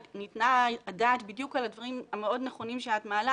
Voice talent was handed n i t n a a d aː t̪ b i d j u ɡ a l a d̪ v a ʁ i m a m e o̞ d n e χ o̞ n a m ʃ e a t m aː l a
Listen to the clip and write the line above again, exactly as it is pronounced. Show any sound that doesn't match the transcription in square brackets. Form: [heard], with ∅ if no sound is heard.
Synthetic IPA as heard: n i t n a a d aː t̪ b i d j u [k] a l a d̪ v a ʁ i m a m e o̞ d n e χ o̞ n [i] m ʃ e a t m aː l a